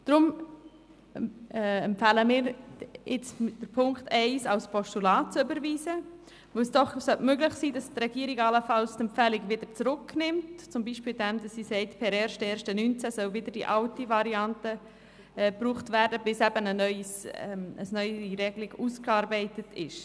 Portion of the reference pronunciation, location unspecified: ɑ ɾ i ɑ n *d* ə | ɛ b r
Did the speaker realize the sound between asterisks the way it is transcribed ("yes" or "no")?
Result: no